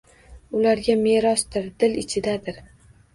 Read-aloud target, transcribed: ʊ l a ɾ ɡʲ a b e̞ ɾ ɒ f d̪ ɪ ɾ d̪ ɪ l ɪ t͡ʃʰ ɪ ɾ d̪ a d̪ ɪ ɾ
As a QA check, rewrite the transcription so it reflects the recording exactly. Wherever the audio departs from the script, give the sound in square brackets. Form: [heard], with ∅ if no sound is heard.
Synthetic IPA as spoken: ʊ l a ɾ ɡʲ a [m] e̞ ɾ ɒ [s] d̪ ɪ ɾ d̪ ɪ l ɪ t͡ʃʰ ɪ [∅] d̪ a d̪ ɪ ɾ

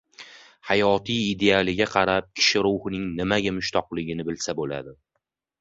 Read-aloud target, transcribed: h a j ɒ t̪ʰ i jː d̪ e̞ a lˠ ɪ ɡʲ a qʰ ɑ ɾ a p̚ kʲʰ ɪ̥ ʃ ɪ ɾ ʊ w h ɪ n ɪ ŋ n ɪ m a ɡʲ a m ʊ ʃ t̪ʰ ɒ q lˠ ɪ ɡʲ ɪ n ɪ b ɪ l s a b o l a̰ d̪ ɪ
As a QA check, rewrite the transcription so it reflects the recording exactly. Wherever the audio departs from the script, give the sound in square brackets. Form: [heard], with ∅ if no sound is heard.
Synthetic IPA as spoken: h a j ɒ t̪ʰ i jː d̪ e̞ a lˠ ɪ ɡʲ a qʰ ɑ ɾ a p̚ kʲʰ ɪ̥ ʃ ɪ ɾ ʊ w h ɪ n ɪ ŋ n ɪ m a ɡʲ a m ʊ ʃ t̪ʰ ɒ q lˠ ɪ ɡʲ ɪ n ɪ b ɪ l s a b o l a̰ d̪ ɪ

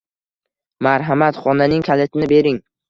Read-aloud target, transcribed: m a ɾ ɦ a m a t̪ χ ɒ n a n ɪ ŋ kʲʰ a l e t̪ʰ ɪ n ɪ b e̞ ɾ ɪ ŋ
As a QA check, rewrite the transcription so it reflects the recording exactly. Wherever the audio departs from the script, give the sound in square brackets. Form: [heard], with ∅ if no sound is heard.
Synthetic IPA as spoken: m a ɾ ɦ a m a t̪ χ ɒ n a n ɪ ŋ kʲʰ a l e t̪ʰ ɪ n ɪ b e̞ ɾ ɪ ŋ

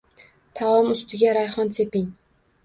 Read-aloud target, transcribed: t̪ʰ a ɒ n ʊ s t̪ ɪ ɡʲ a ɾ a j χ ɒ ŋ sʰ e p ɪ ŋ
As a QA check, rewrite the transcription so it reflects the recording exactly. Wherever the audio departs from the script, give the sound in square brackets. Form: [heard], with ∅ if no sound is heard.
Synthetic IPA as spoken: t̪ʰ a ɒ [m] ʊ s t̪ ɪ ɡʲ a ɾ a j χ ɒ [n] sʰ e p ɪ ŋ

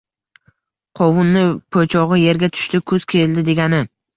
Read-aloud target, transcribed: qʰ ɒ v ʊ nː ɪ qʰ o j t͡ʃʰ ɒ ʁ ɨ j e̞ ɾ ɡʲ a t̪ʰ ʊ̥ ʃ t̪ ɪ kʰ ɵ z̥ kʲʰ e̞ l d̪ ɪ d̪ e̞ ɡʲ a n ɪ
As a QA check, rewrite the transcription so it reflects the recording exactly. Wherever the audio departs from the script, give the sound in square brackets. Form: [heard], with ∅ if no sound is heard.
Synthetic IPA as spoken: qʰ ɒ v ʊ nː ɪ [pʰ] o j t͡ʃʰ ɒ ʁ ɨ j e̞ ɾ ɡʲ a t̪ʰ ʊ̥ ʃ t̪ ɪ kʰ ɵ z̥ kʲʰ e̞ l d̪ ɪ d̪ e̞ ɡʲ a n ɪ

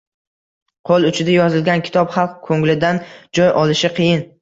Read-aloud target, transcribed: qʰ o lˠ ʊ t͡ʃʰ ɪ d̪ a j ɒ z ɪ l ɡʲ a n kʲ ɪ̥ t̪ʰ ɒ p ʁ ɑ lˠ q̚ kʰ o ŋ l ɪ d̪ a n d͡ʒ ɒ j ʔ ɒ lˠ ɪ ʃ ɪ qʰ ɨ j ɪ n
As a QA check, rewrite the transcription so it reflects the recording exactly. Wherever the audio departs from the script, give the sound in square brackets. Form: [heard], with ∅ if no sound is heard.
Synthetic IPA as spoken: qʰ o lˠ ʊ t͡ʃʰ ɪ d̪ a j ɒ z ɪ l ɡʲ a n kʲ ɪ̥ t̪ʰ ɒ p [χ] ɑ lˠ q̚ kʰ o ŋ l ɪ d̪ a n d͡ʒ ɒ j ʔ ɒ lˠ ɪ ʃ ɪ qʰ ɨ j ɪ n

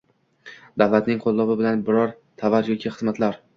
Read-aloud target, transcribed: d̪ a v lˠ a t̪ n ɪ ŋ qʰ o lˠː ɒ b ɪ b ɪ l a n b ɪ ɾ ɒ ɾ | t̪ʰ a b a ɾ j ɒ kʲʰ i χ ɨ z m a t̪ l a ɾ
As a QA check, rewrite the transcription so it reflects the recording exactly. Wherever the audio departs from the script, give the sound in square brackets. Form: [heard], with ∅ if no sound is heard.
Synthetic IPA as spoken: d̪ a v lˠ a t̪ n ɪ ŋ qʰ o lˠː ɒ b ɪ b ɪ l a n b ɪ ɾ ɒ ɾ | t̪ʰ a [v] a ɾ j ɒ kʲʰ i χ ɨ z m a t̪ l a ɾ

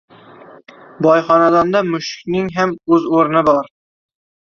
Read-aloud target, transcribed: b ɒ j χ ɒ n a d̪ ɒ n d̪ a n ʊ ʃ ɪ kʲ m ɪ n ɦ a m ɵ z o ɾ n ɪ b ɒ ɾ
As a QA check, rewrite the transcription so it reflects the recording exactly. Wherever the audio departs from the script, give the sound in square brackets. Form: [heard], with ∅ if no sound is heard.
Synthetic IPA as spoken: b ɒ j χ ɒ n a d̪ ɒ n d̪ a [m] ʊ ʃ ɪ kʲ [n] ɪ [ŋ] ɦ a m ɵ z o ɾ n ɪ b ɒ ɾ

